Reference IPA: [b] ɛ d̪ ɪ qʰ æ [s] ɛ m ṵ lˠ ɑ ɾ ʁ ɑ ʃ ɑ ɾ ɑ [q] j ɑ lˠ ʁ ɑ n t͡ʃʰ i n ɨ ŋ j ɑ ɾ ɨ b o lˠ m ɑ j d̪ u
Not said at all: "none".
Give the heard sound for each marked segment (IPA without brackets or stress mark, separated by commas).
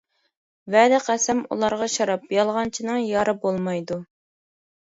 v, s, p